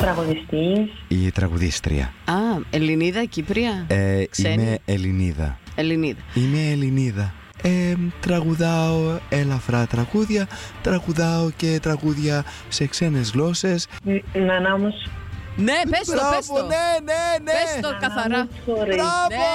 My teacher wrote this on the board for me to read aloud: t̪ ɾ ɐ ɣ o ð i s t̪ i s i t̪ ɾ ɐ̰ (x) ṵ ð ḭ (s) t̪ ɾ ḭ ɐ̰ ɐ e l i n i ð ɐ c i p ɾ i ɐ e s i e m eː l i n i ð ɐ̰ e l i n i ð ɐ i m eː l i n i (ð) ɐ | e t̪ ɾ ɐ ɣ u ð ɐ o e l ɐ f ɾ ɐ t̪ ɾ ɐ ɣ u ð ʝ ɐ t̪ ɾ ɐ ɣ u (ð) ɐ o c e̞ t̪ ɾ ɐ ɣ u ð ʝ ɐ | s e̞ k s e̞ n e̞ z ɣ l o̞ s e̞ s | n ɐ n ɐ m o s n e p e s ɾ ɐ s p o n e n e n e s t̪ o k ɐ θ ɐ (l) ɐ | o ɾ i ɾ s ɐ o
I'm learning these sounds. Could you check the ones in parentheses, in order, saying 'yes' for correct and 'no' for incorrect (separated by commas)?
no, yes, yes, yes, no